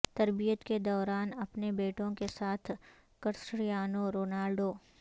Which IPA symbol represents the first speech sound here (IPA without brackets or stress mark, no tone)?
t̪